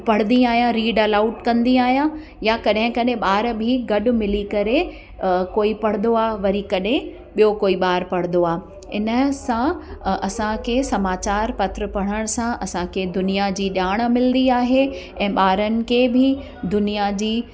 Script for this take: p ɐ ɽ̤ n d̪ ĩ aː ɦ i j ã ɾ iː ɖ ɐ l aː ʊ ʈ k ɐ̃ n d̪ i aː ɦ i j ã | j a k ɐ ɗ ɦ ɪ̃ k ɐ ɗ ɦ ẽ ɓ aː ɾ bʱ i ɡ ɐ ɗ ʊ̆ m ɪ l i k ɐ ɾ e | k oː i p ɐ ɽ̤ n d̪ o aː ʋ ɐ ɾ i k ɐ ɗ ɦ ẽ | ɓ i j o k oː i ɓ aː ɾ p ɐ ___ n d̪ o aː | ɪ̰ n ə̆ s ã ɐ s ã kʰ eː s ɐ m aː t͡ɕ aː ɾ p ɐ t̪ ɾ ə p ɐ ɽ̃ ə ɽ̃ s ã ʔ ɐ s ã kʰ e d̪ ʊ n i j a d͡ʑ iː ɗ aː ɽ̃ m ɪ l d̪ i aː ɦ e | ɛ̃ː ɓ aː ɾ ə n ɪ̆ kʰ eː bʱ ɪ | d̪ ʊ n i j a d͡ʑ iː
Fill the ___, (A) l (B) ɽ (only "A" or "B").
B